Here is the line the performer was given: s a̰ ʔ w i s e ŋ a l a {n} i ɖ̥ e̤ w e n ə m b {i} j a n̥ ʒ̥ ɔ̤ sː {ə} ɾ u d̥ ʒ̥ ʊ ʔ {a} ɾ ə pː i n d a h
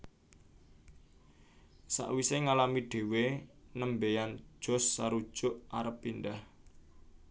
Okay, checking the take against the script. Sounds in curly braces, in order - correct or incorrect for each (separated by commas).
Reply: incorrect, incorrect, incorrect, correct